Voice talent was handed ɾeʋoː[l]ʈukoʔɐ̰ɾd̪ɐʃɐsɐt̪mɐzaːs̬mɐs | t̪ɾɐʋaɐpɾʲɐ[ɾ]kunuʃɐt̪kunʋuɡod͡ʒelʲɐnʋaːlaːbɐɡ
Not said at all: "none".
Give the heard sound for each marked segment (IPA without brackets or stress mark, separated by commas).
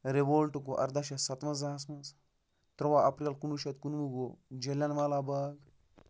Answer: l, l